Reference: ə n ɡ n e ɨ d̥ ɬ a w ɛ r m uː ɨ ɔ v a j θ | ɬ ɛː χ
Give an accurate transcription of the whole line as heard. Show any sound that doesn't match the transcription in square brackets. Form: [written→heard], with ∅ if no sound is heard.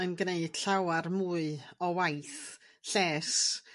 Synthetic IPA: ə n ɡ n e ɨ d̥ ɬ a w [ɛ→a] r m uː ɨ ɔ [v→w] a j θ | ɬ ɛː [χ→s]